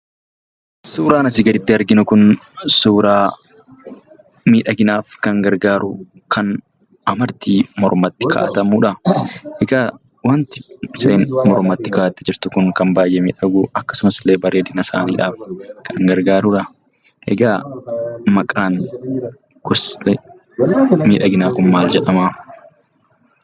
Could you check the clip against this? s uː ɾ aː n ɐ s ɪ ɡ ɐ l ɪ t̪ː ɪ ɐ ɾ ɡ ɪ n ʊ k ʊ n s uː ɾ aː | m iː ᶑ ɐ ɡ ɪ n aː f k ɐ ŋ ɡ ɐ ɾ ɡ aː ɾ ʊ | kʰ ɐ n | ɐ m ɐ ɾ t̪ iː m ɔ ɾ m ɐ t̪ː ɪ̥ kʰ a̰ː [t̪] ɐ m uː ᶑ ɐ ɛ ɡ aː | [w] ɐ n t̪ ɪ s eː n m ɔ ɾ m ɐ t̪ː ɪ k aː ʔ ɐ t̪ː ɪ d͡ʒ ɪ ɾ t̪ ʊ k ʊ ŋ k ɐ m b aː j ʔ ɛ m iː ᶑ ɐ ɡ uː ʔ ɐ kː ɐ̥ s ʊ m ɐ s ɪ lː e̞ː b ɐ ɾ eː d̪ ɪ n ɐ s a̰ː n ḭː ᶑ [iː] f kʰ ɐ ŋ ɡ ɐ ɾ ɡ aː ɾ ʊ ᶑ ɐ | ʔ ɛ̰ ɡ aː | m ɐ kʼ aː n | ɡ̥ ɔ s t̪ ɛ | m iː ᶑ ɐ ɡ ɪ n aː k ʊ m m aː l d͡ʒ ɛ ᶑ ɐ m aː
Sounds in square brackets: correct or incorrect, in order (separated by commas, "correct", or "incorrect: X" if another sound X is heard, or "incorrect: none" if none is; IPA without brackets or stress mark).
correct, correct, incorrect: aː